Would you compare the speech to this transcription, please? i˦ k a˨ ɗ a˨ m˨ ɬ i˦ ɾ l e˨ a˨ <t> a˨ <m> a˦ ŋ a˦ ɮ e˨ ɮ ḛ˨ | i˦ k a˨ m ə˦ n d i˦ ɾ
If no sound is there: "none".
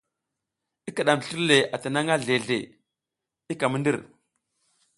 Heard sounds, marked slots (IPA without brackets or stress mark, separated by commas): t, n